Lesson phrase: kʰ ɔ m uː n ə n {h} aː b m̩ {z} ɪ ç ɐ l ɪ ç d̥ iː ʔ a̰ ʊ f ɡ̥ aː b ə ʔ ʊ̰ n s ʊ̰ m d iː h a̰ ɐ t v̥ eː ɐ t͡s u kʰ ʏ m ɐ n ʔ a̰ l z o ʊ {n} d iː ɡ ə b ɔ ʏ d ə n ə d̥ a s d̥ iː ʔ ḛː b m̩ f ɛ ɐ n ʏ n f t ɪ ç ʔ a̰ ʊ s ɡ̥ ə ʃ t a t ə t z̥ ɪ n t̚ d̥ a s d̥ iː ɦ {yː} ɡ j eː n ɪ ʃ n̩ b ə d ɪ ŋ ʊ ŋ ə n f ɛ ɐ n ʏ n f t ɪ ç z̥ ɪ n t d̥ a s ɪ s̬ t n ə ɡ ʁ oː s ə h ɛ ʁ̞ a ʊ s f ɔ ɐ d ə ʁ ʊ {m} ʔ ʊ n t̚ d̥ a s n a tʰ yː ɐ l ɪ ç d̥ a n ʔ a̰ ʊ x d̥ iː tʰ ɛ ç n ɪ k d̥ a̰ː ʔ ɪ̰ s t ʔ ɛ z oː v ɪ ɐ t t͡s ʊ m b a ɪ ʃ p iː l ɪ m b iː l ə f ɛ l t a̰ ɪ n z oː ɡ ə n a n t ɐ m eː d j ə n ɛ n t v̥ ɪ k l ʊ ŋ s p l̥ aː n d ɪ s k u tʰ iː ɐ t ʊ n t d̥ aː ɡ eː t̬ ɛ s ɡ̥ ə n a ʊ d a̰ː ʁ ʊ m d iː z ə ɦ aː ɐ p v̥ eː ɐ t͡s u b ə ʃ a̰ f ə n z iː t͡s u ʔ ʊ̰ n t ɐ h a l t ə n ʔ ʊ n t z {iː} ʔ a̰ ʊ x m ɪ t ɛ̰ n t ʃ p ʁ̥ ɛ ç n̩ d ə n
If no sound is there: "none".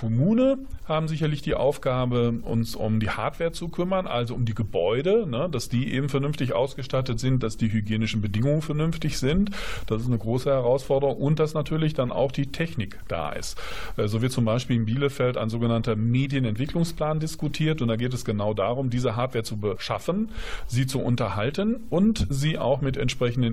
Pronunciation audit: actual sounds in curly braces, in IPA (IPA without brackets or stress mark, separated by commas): h, z, m, y, ŋ, iː